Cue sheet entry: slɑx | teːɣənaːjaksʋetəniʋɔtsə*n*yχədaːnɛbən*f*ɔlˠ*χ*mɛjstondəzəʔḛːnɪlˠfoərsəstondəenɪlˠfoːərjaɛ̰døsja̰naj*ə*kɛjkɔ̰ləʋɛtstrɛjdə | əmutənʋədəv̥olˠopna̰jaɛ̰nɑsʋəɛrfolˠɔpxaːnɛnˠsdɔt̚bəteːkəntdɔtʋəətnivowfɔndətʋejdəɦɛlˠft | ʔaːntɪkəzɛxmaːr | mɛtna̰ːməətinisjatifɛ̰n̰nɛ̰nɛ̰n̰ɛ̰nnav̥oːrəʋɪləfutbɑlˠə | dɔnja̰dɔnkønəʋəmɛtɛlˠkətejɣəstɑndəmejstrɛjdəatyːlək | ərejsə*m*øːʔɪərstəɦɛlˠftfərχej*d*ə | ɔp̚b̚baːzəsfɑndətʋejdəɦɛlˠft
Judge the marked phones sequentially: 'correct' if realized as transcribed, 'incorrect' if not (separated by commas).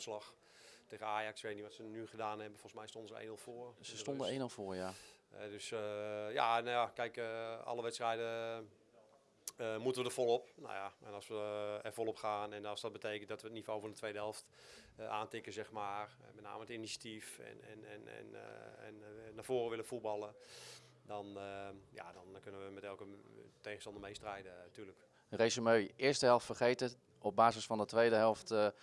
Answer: correct, correct, incorrect, incorrect, correct, incorrect